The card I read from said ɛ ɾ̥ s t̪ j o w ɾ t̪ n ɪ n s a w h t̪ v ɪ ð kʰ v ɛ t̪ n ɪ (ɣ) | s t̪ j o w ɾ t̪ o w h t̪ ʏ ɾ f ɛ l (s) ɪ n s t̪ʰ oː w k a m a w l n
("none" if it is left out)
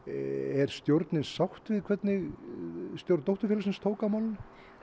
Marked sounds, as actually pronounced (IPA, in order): ɣ, s

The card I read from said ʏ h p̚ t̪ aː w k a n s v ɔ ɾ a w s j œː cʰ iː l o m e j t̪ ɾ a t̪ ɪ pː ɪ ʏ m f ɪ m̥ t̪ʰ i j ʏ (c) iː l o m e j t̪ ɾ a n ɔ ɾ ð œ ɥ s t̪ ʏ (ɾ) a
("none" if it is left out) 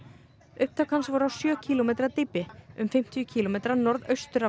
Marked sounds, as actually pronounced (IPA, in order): cʰ, ɾ

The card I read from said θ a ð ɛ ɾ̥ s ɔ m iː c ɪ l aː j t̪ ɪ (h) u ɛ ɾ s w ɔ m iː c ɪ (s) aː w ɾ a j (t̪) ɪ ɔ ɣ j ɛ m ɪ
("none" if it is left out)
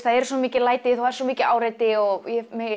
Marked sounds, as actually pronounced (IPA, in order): θ, none, t̪

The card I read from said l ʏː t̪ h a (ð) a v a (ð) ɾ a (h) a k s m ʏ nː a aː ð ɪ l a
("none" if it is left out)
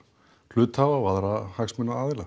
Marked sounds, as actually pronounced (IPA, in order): v, ð, h

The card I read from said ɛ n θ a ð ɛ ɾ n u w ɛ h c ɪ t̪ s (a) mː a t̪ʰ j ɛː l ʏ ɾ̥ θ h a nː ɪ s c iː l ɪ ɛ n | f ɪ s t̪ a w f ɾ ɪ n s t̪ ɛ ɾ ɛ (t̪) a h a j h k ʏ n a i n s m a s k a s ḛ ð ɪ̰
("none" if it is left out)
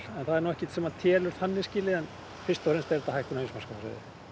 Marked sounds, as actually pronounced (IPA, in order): ɛ, t̪

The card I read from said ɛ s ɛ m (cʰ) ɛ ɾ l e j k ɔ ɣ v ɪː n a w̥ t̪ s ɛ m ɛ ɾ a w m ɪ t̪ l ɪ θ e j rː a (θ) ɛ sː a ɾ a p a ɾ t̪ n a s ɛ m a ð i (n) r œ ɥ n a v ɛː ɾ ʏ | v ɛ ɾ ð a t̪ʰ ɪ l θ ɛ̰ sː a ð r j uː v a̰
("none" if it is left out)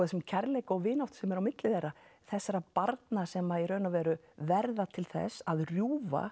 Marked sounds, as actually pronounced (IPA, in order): cʰ, θ, none

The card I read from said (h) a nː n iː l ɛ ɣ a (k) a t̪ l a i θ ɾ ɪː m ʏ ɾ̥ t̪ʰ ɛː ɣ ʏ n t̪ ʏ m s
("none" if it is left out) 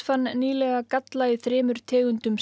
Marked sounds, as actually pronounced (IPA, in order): f, k

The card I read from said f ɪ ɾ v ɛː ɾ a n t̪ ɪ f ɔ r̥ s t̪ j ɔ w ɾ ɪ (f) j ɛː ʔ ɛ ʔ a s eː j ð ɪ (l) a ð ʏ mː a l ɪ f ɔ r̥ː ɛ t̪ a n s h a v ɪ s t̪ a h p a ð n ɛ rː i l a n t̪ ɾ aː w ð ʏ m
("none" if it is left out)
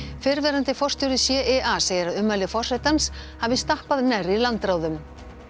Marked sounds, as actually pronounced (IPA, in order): s, ɾ

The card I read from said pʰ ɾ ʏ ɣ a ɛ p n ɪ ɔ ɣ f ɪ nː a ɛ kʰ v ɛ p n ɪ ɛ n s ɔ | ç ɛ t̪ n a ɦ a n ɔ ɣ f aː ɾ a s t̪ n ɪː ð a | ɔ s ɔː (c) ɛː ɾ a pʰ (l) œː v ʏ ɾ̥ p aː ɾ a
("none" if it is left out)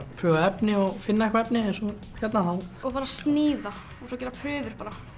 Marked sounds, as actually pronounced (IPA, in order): c, ɾ

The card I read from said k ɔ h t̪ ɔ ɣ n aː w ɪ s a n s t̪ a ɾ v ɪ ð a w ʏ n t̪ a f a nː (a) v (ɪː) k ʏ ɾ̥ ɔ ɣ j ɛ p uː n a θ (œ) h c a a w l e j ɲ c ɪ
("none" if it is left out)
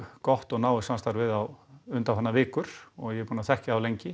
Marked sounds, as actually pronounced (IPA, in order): a, ɪː, ɛ

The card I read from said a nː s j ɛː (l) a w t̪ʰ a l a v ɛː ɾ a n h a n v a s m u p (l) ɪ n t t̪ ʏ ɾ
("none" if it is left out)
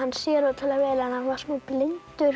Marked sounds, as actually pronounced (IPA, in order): ɾ, l

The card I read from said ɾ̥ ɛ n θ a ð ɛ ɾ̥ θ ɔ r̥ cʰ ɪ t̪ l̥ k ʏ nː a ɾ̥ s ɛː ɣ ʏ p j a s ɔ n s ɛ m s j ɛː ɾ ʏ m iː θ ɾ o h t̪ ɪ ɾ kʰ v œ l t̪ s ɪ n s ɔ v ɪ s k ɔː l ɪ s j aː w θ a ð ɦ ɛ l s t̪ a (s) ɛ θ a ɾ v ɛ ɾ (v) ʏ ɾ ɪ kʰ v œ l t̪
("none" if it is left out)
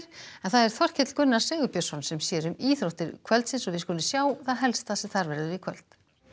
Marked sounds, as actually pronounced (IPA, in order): s, ð

